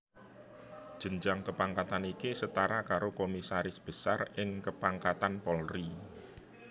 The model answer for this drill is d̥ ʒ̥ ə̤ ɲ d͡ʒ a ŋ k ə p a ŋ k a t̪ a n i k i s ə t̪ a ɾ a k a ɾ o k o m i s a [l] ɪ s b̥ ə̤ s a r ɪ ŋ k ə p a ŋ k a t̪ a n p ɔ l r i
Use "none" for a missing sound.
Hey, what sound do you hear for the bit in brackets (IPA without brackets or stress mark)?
ɾ